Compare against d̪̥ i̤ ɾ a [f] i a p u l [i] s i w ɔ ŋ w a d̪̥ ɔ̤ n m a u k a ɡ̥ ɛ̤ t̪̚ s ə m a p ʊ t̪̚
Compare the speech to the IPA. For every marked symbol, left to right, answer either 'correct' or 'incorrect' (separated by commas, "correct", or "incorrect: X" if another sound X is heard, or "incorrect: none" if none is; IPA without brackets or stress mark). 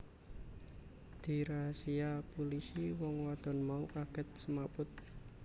incorrect: s, correct